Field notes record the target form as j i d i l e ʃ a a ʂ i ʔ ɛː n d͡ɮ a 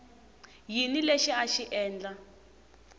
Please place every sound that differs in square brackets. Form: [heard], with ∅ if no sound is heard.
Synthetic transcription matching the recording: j i [n] i l e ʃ [i] a [ʃ] i ʔ ɛː n d͡ɮ a